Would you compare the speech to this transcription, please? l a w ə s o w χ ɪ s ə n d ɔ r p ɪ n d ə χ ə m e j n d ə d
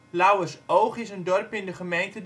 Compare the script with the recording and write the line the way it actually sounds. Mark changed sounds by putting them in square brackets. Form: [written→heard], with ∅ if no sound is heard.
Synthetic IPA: l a w ə s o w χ ɪ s ə n d ɔ r p ɪ n d ə χ ə m e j n [d→t] ə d